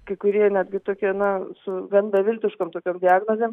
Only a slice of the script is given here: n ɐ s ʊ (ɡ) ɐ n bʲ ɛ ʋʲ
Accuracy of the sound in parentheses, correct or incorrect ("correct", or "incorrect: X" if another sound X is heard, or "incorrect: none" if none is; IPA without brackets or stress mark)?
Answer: correct